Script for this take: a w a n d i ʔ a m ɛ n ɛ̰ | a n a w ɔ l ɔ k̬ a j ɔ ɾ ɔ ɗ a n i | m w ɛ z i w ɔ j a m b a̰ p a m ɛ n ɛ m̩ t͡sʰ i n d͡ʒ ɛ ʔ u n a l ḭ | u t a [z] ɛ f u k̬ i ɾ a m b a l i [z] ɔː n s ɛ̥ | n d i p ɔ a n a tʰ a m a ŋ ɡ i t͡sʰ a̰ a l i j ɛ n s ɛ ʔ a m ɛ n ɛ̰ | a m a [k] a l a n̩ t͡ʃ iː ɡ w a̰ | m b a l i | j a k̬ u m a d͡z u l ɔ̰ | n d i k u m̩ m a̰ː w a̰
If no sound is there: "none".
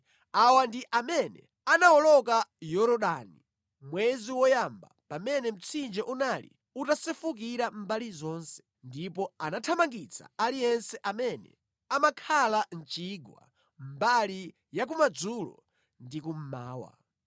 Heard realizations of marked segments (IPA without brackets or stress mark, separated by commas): s, z, kʰ